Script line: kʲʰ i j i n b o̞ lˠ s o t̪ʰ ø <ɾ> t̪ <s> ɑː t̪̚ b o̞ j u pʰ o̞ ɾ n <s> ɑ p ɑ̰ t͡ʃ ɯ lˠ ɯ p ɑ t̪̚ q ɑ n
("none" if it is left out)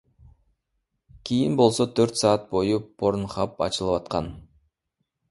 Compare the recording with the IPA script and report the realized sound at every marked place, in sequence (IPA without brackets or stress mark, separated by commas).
ɾ, s, χ